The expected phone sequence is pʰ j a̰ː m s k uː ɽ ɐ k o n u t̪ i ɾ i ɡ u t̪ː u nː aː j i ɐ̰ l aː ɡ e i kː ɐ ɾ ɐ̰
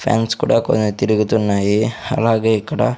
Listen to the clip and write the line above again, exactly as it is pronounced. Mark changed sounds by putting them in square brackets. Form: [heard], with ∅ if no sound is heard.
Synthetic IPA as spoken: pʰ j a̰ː [n] s k uː ɽ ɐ k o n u t̪ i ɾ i ɡ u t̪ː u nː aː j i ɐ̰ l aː ɡ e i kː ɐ [ɽ] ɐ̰